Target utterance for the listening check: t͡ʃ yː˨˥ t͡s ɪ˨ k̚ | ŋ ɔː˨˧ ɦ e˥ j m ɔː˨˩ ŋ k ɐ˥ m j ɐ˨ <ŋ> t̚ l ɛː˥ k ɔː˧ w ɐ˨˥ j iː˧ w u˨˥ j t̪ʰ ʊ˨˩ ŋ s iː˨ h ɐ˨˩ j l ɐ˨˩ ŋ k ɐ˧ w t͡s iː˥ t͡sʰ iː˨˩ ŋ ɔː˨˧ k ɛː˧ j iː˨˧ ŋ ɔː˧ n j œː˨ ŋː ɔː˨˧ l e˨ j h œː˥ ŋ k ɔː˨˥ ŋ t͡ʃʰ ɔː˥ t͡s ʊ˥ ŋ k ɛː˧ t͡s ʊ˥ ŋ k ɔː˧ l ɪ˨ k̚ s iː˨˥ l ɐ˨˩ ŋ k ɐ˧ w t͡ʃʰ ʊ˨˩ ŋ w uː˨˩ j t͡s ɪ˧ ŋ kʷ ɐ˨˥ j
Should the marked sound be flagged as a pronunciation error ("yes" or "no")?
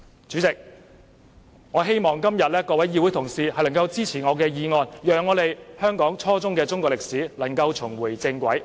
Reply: yes